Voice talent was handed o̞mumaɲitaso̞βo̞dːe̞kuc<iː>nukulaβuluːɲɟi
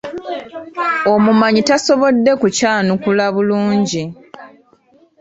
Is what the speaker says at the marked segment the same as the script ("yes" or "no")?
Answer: no